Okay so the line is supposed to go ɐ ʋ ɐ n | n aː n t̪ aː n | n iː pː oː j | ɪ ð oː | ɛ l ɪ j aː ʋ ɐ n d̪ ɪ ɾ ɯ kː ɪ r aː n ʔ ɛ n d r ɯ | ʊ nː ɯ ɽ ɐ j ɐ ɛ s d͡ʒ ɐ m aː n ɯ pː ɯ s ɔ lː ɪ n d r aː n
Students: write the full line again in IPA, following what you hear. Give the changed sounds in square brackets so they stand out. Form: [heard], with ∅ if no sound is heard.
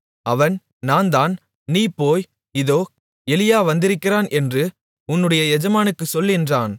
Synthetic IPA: ɐ ʋ ɐ n | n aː n [d̪] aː n | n iː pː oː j | ɪ ð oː | ɛ l ɪ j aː ʋ ɐ n d̪ ɪ ɾ ɯ kː ɪ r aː n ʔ ɛ n d r ɯ | ʊ nː ɯ ɽ ɐ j ɐ ɛ [∅] d͡ʒ ɐ m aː n ɯ [kː] ɯ s ɔ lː ɪ n d r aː n

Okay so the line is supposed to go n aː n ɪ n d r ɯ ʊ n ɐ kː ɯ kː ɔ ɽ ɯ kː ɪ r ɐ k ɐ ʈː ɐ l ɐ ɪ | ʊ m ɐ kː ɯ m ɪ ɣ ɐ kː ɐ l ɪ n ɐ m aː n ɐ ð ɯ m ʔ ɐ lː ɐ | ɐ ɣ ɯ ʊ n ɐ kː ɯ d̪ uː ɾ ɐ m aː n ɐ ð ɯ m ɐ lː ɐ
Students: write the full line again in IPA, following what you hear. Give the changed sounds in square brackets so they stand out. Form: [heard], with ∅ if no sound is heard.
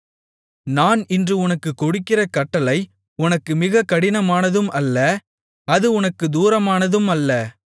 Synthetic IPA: n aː n ɪ n d r ɯ ʊ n ɐ kː ɯ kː ɔ ɽ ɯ kː ɪ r ɐ k ɐ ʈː ɐ l ɐ ɪ | ʊ [n] ɐ kː ɯ m ɪ ɣ ɐ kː ɐ [ɽ] ɪ n ɐ m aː n ɐ ð ɯ m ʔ ɐ lː ɐ | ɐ [ð] ɯ ʊ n ɐ kː ɯ d̪ uː ɾ ɐ m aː n ɐ ð ɯ m ɐ lː ɐ

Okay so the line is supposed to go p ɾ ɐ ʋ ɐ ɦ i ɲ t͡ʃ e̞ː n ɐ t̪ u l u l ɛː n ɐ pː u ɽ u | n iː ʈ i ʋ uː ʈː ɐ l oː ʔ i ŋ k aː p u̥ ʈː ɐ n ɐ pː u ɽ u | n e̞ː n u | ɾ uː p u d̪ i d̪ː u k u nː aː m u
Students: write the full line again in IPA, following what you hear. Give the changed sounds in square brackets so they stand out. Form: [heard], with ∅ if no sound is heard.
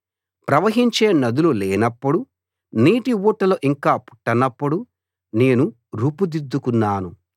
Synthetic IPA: p ɾ ɐ ʋ ɐ ɦ i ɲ t͡ʃ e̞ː n ɐ [d̪] u l u l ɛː n ɐ pː u ɽ u | n iː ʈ i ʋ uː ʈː ɐ l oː ʔ i ŋ k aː p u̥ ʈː ɐ n ɐ pː u ɽ u | n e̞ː n u | ɾ uː p u d̪ i d̪ː u k u nː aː [n] u

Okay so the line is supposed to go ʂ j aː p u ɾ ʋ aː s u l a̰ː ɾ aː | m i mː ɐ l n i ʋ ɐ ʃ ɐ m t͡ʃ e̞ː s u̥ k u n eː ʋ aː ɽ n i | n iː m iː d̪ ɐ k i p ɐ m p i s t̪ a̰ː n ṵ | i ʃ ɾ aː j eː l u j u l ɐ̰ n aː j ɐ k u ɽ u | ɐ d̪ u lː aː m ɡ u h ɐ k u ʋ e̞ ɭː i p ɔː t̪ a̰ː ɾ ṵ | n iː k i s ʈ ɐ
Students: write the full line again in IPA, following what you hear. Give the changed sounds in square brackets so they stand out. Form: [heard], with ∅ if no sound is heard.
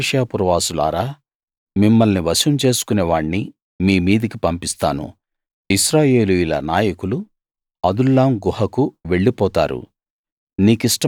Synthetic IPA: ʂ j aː p u ɾ ʋ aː s u l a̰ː ɾ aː | m i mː ɐ l n i ʋ ɐ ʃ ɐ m t͡ʃ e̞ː s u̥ k u n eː ʋ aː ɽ n i | [m] iː m iː d̪ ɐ k i p ɐ m p i s t̪ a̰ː n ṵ | i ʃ ɾ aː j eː l u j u l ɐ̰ n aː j ɐ k u [l] u | ɐ d̪ u lː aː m ɡ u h ɐ k u ʋ e̞ ɭː i p ɔː t̪ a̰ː ɾ ṵ | n iː k i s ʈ ɐ

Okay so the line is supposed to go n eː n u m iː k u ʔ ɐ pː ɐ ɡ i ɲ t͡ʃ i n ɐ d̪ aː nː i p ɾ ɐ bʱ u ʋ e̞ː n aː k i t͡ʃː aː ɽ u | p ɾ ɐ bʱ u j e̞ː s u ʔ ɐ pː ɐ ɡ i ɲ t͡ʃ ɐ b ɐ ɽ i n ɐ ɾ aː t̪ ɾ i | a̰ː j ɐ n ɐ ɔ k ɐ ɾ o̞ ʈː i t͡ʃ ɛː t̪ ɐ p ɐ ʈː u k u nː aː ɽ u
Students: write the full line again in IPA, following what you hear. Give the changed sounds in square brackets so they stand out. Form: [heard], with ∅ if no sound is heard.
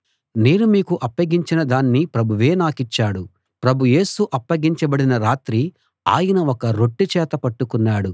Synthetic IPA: n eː n u m iː k u ʔ ɐ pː ɐ ɡ i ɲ t͡ʃ i n ɐ d̪ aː nː i p ɾ ɐ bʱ u ʋ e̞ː n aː k i t͡ʃː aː ɽ u | p ɾ ɐ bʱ u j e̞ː s u ʔ ɐ pː ɐ ɡ i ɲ t͡ʃ ɐ b ɐ ɽ i n ɐ ɾ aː t̪ ɾ i | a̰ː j ɐ n ɐ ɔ k ɐ ɾ o̞ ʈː i t͡ʃ ɛː t̪ ɐ p ɐ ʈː u k u nː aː ɽ u

